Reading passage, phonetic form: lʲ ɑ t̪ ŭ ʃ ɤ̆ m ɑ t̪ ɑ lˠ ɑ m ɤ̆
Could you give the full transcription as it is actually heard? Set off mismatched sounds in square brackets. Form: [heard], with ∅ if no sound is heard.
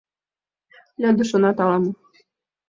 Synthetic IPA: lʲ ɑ [d̪] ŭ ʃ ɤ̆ [n] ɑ t̪ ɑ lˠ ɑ m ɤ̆